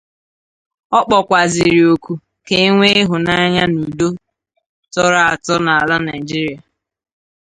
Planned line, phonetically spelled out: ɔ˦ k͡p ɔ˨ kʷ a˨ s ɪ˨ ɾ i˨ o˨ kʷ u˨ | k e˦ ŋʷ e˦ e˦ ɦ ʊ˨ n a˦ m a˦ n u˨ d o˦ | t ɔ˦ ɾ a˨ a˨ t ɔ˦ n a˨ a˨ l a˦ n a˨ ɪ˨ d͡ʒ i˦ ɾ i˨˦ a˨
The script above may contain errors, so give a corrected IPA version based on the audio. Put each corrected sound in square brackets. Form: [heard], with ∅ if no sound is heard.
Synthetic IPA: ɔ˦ k͡p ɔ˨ kʷ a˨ [z] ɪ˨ ɾ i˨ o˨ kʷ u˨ | k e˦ ŋʷ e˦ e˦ ɦ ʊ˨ n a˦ [ɲ] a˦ n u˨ d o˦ | t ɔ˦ ɾ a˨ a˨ t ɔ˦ n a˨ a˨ l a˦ n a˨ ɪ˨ d͡ʒ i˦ ɾ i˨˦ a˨